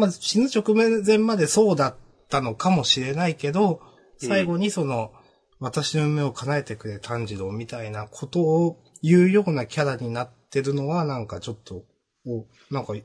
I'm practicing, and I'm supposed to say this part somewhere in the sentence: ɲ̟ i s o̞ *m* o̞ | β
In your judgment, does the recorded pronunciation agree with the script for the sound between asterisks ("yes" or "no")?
no